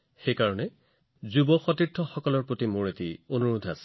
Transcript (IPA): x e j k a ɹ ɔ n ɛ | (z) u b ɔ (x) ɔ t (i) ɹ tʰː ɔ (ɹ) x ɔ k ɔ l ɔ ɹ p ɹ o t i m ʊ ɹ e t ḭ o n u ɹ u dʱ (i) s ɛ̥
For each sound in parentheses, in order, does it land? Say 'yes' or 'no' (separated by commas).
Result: yes, yes, yes, no, no